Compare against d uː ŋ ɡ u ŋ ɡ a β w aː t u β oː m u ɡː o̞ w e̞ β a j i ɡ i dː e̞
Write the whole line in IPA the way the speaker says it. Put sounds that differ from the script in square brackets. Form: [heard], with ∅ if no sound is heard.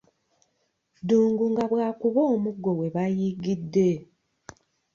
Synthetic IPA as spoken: d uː ŋ ɡ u ŋ ɡ a β w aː [k] u β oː m u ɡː o̞ w e̞ β a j i ɡ i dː e̞